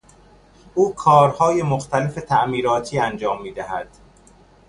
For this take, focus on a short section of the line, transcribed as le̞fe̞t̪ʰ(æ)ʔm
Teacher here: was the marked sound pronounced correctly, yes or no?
yes